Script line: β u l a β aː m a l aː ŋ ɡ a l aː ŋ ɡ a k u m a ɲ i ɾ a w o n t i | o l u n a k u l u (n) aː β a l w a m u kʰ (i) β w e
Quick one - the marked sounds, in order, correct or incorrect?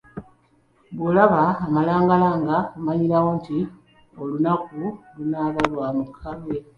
correct, incorrect: a

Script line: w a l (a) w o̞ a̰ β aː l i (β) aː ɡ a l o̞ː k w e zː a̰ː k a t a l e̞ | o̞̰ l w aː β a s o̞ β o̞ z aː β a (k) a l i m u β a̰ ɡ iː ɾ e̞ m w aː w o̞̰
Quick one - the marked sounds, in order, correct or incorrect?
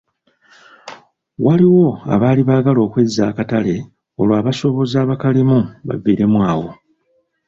incorrect: i, correct, correct

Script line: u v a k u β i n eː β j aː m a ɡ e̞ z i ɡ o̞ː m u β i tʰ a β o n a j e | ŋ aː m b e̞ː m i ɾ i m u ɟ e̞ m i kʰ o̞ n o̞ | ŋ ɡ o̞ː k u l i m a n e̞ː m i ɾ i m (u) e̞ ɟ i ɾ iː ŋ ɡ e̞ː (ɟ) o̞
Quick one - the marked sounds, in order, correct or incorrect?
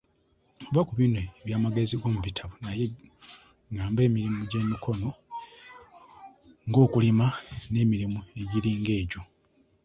correct, correct

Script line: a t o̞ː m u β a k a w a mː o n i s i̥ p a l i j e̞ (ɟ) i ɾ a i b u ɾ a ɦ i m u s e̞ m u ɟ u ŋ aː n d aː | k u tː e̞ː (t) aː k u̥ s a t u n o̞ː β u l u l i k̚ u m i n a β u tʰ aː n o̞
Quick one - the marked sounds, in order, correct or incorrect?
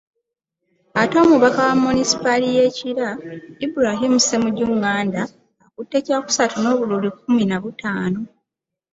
incorrect: c, incorrect: c

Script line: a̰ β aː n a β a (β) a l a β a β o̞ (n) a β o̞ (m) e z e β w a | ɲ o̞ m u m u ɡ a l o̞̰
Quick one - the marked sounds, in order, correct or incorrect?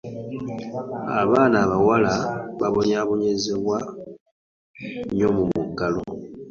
incorrect: w, incorrect: ɲ, incorrect: ɲ

